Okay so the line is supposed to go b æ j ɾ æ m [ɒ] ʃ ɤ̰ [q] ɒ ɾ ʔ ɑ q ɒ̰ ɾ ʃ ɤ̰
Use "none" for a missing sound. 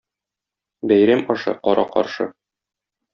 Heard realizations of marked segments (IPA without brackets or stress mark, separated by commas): ɒ, q